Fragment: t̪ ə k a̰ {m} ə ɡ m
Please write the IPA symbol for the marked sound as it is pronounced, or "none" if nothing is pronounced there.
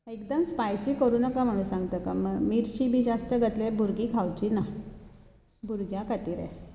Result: m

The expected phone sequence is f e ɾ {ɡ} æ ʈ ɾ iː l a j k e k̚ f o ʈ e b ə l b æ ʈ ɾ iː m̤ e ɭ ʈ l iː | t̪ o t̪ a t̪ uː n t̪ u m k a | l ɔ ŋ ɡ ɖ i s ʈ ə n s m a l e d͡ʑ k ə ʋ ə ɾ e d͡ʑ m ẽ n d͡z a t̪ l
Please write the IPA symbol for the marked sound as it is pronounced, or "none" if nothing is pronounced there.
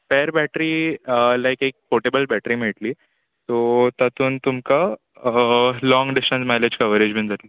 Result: b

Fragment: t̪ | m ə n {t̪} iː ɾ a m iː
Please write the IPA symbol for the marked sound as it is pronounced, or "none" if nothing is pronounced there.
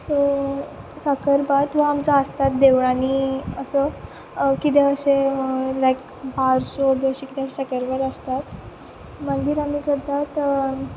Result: d̪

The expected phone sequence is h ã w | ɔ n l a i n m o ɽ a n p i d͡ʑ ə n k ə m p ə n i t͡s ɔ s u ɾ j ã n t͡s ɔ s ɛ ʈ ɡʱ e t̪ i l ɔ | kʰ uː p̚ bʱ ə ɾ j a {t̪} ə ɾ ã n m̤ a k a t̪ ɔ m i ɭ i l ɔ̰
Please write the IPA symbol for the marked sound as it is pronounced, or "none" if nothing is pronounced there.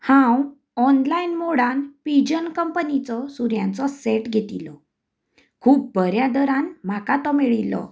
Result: d̪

